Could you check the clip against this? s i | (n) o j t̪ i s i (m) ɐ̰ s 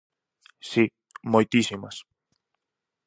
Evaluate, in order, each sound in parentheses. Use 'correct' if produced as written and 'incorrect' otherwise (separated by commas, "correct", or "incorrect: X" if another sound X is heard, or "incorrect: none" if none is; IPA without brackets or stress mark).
incorrect: m, correct